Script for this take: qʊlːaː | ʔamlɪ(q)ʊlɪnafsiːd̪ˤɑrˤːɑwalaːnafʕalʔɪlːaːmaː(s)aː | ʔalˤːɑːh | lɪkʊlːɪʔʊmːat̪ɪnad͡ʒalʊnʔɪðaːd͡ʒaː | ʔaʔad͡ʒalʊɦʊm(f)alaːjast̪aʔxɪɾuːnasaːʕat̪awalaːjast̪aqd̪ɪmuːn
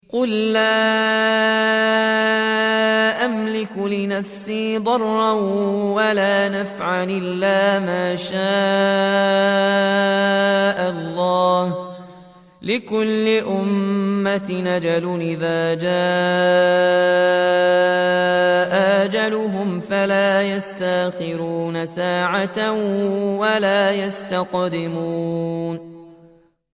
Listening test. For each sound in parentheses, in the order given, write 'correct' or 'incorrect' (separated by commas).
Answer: incorrect, incorrect, correct